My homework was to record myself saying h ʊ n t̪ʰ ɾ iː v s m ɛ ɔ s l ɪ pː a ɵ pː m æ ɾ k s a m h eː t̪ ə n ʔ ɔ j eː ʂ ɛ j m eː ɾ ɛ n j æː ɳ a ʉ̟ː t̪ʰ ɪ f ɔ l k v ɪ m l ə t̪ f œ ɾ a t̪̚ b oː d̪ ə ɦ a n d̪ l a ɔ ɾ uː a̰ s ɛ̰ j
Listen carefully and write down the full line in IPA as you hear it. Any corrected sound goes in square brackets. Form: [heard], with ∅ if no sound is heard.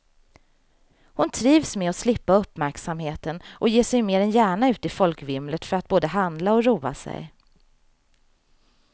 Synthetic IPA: h ʊ n t̪ʰ ɾ iː v s m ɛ ɔ s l ɪ pː a ɵ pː m æ ɾ k s a m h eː t̪ ə n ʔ ɔ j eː ʂ ɛ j m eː ɾ ɛ n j æː ɳ a ʉ̟ː [t̪] ɪ f ɔ l k v ɪ m l ə t̪ f œ ɾ a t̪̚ b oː d̪ ə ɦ a n d̪ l a ɔ ɾ uː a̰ s ɛ̰ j